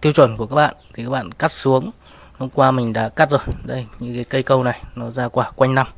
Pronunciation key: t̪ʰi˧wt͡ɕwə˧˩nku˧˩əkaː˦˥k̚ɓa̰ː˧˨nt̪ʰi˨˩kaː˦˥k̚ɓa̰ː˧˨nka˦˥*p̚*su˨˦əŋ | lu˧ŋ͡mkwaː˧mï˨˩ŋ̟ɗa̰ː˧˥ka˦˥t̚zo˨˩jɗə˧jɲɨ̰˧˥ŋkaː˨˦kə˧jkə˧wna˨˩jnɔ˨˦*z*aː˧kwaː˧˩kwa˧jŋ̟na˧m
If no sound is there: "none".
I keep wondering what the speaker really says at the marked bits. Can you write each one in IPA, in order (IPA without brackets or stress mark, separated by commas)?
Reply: t̚, z